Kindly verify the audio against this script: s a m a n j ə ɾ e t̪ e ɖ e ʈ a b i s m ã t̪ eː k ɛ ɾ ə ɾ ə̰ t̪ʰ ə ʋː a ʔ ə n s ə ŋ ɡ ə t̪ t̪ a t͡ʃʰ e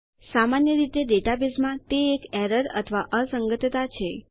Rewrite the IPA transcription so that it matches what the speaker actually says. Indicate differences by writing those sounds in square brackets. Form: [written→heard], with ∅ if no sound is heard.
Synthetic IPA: s a m a n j ə ɾ [e→i] t̪ e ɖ e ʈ a b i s m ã t̪ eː k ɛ ɾ ə ɾ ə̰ t̪ʰ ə [ʋː→ʋ] a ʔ ə [n→∅] s ə ŋ ɡ ə t̪ t̪ a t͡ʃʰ e